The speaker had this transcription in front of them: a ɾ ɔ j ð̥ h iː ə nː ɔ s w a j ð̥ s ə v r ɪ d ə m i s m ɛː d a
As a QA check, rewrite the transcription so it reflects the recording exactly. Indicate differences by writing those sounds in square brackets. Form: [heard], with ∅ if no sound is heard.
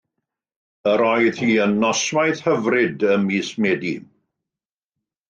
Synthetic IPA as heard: [ə] ɾ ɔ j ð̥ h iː ə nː ɔ s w a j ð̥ [h] ə v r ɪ d ə m i s m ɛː d [i]